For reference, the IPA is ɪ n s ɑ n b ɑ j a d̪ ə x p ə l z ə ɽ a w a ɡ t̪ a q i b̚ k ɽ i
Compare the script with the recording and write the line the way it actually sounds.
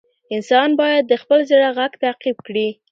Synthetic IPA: ɪ n s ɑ n b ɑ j a d̪ː ə x p ə l z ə ɽ a ɣ a ɡ t̪ a q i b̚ k ɽ i